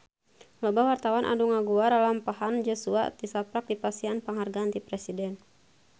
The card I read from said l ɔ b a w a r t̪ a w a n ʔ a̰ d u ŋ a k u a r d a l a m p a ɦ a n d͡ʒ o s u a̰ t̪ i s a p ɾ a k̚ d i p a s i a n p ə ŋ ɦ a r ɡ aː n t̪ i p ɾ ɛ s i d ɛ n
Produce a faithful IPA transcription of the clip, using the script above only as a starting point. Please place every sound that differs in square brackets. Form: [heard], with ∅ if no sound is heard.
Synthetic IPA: l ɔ b a w a r t̪ a w a n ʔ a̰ d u ŋ a [ɡ] u a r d a l a m p a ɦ a n d͡ʒ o s u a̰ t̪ i s a p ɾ a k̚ d i p a s i a n p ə ŋ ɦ a r ɡ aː n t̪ i p ɾ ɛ s i d ɛ n